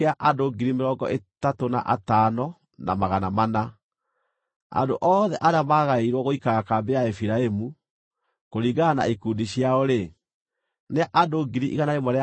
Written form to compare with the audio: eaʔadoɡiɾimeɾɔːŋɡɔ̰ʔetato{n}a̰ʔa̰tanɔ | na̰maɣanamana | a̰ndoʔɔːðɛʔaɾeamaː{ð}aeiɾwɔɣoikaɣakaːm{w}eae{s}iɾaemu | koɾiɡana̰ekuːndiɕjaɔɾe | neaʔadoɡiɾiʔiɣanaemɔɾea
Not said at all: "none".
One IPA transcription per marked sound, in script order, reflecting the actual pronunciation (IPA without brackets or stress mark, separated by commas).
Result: n, ɣ, b, f